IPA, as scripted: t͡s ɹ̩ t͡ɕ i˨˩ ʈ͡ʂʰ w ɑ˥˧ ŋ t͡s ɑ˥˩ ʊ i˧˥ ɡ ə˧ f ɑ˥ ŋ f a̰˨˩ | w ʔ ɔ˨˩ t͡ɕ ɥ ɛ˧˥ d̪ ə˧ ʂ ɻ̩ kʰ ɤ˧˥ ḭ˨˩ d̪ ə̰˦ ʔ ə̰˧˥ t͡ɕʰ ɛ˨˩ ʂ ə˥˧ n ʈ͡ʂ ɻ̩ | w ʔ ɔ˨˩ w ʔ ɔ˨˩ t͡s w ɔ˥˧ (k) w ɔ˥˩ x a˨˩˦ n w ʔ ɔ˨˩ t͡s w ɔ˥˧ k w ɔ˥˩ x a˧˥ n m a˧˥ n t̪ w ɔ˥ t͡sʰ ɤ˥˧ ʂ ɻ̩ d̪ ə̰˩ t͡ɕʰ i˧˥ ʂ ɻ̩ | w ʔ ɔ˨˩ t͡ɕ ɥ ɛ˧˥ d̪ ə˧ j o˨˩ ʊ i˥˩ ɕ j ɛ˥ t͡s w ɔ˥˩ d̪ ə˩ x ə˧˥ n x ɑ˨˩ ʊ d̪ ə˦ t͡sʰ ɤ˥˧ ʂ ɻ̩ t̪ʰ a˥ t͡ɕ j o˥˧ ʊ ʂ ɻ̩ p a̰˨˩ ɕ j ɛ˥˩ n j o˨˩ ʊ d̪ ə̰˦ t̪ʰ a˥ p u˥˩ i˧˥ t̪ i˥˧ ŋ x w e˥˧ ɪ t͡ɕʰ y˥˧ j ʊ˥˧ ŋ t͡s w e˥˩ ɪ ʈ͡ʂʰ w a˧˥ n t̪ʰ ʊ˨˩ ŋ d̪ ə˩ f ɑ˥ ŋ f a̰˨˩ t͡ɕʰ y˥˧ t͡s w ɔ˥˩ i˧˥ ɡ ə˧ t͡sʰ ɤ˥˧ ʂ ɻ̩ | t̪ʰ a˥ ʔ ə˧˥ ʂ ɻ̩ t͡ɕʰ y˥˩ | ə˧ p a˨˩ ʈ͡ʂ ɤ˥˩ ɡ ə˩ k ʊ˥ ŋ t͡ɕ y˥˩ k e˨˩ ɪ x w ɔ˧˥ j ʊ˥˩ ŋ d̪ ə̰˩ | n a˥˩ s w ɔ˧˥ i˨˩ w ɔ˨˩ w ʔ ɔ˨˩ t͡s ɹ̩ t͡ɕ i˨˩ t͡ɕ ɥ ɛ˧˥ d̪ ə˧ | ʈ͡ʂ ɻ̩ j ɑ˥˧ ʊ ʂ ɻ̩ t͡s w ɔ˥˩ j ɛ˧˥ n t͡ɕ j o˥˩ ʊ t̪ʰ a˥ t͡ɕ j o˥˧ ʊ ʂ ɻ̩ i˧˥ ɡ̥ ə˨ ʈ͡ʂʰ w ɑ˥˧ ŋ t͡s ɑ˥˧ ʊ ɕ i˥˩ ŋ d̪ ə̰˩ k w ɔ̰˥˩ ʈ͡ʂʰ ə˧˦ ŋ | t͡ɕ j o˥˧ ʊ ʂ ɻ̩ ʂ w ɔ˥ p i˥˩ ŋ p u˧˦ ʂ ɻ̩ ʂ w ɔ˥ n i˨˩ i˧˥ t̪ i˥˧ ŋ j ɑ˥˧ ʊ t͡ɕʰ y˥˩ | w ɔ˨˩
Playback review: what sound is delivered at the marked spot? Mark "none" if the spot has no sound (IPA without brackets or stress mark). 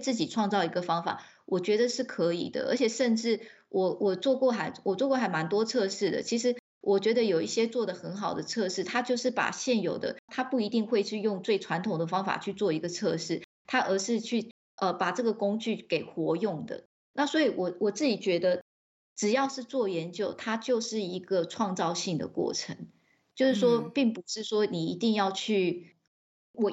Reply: k